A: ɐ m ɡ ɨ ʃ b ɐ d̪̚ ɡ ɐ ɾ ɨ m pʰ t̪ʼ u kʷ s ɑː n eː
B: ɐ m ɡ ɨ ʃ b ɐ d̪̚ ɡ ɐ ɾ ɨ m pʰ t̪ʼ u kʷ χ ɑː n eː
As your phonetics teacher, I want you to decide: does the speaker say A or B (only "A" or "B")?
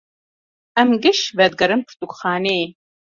B